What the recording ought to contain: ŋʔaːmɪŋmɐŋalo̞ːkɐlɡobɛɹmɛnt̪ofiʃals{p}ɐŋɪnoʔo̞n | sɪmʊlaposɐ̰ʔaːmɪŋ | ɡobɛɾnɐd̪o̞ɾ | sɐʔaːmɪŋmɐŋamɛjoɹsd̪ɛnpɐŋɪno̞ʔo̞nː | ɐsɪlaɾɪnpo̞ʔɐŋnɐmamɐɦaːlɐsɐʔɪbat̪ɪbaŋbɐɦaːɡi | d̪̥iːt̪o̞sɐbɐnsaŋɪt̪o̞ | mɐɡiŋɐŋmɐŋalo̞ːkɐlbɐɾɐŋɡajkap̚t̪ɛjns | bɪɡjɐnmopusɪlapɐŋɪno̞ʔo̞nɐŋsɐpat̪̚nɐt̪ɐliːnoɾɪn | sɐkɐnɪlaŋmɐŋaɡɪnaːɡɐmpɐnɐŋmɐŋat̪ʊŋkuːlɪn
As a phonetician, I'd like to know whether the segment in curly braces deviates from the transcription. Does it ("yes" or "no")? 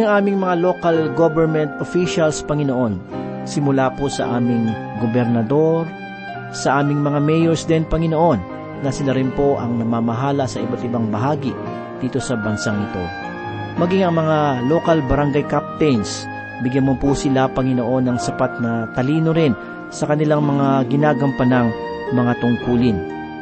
no